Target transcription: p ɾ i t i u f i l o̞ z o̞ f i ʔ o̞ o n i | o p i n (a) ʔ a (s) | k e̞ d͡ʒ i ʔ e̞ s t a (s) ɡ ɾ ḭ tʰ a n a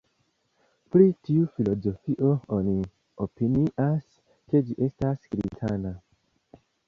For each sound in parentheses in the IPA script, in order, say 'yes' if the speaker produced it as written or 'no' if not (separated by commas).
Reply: no, yes, yes